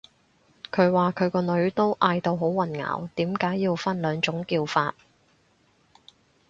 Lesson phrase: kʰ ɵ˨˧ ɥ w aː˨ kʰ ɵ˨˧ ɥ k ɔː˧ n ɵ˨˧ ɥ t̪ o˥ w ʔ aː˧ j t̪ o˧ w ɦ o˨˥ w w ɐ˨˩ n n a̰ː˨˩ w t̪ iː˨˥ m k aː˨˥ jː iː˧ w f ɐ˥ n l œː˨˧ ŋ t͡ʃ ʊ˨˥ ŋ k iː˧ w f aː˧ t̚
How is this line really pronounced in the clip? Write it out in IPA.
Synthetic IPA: kʰ ɵ˨˧ ɥ w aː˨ kʰ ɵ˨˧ ɥ k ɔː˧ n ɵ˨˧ ɥ t̪ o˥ w ʔ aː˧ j t̪ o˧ w ɦ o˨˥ w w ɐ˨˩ n ŋ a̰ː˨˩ w t̪ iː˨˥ m k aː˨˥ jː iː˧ w f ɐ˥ n l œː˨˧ ŋ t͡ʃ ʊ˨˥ ŋ k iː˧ w f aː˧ t̚